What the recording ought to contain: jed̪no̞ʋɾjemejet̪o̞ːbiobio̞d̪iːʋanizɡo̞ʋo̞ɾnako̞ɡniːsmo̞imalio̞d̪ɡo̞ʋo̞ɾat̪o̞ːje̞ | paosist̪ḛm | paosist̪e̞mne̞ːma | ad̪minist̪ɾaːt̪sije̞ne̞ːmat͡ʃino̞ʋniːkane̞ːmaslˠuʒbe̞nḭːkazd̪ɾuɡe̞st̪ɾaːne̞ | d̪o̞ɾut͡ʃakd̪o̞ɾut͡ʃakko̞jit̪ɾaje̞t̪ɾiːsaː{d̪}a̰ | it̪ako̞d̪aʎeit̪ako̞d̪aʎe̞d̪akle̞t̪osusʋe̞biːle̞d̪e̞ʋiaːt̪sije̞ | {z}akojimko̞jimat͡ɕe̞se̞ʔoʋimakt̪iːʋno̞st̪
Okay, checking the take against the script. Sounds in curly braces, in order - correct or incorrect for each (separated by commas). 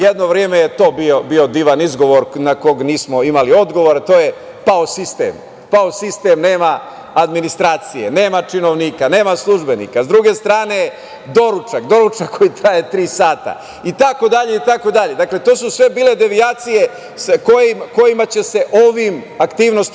incorrect, incorrect